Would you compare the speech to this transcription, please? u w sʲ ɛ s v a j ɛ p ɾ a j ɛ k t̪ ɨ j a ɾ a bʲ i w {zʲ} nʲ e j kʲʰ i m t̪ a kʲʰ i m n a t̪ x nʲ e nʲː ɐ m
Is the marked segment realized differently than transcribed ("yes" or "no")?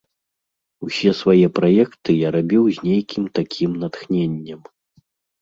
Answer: no